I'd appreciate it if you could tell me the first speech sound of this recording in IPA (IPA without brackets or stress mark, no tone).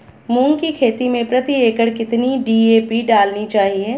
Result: m